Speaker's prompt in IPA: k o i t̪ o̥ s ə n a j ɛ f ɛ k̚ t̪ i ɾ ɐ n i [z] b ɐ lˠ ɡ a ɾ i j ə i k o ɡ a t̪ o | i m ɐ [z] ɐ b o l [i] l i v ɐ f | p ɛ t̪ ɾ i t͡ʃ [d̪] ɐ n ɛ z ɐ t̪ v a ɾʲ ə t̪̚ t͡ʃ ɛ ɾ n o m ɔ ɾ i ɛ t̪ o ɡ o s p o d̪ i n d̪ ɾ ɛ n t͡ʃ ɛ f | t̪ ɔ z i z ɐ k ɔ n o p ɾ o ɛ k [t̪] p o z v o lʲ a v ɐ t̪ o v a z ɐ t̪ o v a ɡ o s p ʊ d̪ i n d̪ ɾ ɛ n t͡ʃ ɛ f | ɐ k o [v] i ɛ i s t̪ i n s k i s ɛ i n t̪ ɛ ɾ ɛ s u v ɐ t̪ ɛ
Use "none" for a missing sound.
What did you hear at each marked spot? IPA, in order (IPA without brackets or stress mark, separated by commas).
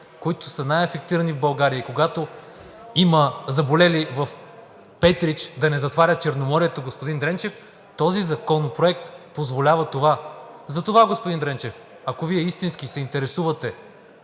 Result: v, z, ɛ, d̪, t̪, v